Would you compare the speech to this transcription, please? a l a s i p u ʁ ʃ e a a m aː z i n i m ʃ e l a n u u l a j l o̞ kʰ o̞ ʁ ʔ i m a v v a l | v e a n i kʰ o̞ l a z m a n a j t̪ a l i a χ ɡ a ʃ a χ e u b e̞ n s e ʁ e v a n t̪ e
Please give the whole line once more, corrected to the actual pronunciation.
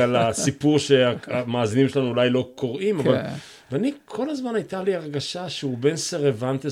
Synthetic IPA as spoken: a l a s i p u ʁ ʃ e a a m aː z i n i m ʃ e l a n u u l a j l o̞ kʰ o̞ ʁ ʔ i m a v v a l | v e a n i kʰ o̞ l a z m a n a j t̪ a l i a ʁ ɡ a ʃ a ʃ e u b e̞ n s e ʁ e v a n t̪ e